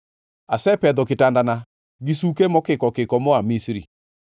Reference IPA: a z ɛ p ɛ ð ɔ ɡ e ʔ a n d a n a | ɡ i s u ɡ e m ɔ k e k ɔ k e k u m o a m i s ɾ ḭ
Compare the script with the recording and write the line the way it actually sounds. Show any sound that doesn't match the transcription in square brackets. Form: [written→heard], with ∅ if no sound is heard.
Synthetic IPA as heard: a [z→s] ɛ p ɛ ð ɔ [ɡ→k] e [ʔ→t] a n d a n a | ɡ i s u [ɡ→k] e m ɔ k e k ɔ k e k [u→ɔ] m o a m i s ɾ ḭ

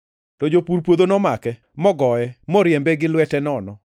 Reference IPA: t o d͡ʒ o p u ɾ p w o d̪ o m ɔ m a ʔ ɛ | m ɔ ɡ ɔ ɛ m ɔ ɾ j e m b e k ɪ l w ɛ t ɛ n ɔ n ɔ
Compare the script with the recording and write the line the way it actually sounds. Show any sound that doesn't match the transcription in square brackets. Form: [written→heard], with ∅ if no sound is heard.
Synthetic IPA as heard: t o d͡ʒ o p u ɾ p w o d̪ o [m→n] ɔ m a [ʔ→k] ɛ | m ɔ ɡ ɔ ɛ m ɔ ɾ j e m b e [k→ɡ] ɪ l w ɛ t ɛ n ɔ n ɔ

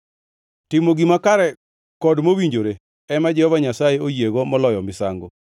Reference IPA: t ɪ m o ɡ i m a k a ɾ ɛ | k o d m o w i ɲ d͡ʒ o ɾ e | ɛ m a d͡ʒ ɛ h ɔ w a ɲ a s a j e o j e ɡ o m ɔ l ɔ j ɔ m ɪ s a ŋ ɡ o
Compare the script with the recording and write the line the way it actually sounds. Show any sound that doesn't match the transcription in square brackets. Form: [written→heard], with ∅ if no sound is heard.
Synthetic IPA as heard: t ɪ m o ɡ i m a k a ɾ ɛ | k [o→ɔ] d m o w i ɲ d͡ʒ o ɾ e | ɛ m a d͡ʒ ɛ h ɔ [w→v] a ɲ a s a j e o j e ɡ o m ɔ l ɔ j ɔ m ɪ s a ŋ ɡ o

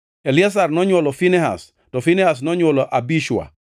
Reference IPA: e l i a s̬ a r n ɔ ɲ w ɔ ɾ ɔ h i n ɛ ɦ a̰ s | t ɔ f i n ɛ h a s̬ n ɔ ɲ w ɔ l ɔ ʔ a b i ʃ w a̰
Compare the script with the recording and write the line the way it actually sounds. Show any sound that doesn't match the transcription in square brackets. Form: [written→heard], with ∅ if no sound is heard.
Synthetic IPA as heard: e l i a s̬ a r n ɔ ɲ w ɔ [ɾ→l] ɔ [h→f] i n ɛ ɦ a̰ s | t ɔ f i n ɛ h a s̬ n ɔ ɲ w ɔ l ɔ ʔ a b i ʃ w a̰

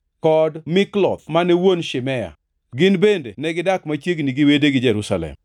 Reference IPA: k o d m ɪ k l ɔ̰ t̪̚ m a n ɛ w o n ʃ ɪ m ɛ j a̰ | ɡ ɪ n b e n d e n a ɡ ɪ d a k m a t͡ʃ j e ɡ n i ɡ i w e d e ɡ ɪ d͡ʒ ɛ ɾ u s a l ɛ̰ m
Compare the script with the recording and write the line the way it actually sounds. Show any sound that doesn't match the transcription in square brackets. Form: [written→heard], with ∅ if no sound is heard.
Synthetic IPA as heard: k [o→ɔ] d m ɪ k l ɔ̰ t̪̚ m a n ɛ w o n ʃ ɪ m ɛ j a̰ | ɡ ɪ n b e n d e n [a→ɛ] ɡ ɪ d a k m a t͡ʃ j e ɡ n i ɡ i w e d e ɡ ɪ d͡ʒ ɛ ɾ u s a l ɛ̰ m

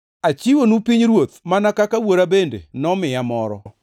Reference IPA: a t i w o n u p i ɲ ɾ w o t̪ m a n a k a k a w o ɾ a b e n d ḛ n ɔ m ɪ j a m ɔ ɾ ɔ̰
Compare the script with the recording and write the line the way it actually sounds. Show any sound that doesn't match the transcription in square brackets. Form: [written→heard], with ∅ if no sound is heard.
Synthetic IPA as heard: a [t→t͡ʃ] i w o n u p i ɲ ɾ w o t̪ m a n a k a k a w o ɾ a b e n d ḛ n ɔ m ɪ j a m ɔ ɾ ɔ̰

